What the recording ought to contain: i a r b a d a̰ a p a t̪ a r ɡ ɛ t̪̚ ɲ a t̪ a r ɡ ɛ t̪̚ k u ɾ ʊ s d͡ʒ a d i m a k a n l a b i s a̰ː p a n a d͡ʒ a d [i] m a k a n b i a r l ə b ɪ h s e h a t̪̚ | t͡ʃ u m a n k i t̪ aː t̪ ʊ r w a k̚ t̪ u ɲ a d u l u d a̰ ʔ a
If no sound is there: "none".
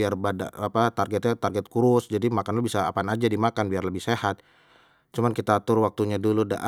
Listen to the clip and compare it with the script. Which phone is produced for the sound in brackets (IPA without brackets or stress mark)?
i